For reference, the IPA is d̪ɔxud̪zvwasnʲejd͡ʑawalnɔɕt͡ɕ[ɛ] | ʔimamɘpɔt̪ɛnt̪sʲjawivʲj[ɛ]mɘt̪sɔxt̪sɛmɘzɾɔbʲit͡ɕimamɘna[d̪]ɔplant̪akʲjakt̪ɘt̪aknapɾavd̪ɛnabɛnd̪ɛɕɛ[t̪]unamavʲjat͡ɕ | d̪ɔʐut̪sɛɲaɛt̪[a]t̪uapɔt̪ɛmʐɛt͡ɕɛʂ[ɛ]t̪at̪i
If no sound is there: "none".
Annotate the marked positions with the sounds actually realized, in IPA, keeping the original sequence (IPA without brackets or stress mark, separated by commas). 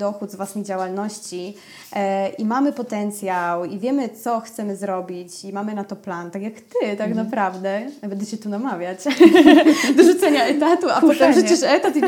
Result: i, ɛ, t̪, t̪, a, ɛ